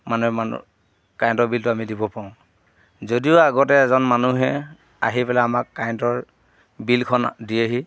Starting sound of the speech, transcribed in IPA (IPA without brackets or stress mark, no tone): m